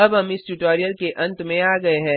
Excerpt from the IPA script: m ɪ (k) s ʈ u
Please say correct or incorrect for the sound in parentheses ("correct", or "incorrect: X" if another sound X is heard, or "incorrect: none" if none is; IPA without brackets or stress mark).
incorrect: none